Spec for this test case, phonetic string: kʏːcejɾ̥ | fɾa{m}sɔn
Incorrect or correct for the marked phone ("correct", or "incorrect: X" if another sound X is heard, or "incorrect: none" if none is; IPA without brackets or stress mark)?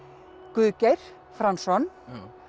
incorrect: n